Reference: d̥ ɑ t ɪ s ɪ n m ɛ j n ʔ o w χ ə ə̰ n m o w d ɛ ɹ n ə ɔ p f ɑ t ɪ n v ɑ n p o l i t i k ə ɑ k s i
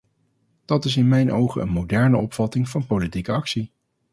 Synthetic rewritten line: d̥ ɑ t ɪ s ɪ n m ɛ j n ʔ o w χ ə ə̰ n m o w d ɛ ɹ n ə ɔ p f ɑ t ɪ ŋ v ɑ n p o l i t i k ə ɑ k s i